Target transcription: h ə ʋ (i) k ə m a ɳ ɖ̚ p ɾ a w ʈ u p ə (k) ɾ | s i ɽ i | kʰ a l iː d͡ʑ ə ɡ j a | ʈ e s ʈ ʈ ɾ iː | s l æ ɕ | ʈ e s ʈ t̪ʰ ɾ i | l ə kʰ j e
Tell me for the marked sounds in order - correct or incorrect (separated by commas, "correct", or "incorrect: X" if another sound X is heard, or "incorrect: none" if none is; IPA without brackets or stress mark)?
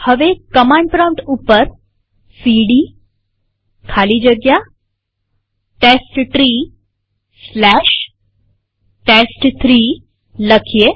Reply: incorrect: e, incorrect: none